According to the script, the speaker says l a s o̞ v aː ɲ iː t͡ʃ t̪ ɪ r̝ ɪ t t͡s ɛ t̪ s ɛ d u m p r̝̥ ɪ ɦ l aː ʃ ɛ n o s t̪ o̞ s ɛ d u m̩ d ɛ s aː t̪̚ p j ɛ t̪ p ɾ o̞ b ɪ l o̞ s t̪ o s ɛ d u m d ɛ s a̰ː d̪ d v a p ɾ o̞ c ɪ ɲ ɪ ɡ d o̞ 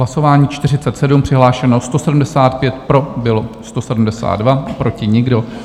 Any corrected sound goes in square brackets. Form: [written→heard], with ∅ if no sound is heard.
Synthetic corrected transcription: l a s o̞ v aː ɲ iː t͡ʃ t̪ ɪ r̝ ɪ t t͡s ɛ t̪ s ɛ d u m p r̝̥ ɪ ɦ l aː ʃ ɛ n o s t̪ o̞ s ɛ d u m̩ d ɛ s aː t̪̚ p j ɛ t̪ p ɾ o̞ b ɪ l o̞ s t̪ o s ɛ d u m d ɛ s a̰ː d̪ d v a p ɾ o̞ c ɪ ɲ ɪ ɡ d o̞